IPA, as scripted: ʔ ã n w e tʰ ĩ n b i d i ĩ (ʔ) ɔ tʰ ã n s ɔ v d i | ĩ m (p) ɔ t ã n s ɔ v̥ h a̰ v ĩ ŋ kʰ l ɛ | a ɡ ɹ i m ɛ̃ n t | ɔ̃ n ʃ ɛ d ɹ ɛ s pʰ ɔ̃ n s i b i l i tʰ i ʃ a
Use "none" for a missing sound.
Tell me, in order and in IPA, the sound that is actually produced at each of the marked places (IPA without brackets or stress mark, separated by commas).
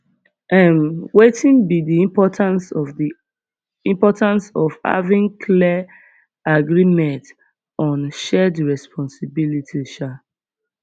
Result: p, p